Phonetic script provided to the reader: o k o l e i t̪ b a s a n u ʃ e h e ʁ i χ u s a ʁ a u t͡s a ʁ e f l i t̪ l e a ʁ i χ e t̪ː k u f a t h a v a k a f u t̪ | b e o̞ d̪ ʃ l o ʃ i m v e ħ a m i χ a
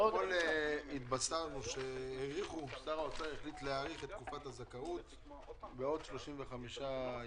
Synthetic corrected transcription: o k o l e i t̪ b a s a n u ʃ e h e ʁ i χ u s a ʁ a o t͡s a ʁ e χ l i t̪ l e a ʁ i χ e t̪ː k u f a t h a z a k a u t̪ | b e o̞ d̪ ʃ l o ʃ i m v e χ a m i ʃ a